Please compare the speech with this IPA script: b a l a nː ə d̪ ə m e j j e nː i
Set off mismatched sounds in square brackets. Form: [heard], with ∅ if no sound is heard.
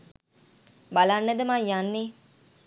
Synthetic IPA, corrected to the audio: b a l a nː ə d̪ ə m [a] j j [a] nː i